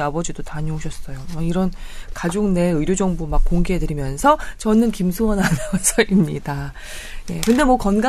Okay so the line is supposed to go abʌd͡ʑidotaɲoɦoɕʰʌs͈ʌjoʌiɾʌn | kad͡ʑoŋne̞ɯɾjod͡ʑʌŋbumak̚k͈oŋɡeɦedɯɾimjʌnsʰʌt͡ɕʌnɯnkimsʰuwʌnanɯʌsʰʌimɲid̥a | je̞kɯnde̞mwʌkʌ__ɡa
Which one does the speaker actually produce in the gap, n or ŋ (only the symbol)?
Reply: n